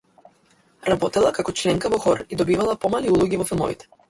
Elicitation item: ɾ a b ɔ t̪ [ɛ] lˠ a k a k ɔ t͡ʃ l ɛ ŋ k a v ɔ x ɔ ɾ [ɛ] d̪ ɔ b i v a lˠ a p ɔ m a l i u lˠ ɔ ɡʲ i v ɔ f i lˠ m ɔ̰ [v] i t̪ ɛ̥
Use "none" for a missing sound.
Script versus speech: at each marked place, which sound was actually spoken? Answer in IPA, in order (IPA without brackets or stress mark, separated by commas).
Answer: ɛ, i, v